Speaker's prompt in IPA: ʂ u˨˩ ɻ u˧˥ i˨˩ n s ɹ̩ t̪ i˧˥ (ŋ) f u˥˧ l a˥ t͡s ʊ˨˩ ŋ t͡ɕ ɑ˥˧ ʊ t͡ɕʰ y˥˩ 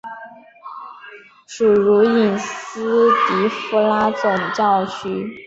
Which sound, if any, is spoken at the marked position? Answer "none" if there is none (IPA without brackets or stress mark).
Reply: none